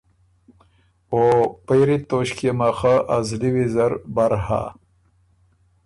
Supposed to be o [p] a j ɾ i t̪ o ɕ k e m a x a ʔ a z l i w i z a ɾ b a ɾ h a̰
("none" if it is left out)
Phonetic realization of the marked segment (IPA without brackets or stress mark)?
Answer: p